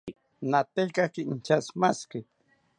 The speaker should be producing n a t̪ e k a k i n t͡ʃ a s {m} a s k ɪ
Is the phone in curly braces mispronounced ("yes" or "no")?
no